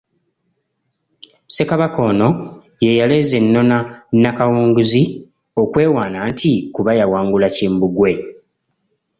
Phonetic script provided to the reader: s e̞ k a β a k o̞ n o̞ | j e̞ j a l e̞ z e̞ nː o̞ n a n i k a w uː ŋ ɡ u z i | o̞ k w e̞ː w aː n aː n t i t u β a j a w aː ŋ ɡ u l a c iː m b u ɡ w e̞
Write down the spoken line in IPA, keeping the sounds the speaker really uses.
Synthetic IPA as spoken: s e̞ k a β a k o̞ n o̞ | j e̞ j a l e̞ z e̞ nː o̞ n a n a k a w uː ŋ ɡ u z i | o̞ k w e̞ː w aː n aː n t i k u β a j a w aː ŋ ɡ u l a c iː m b u ɡ w e̞